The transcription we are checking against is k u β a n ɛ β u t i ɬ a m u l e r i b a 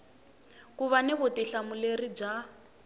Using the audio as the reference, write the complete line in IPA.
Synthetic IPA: k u β a n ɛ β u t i ɬ a m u l e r i b͡ʐ a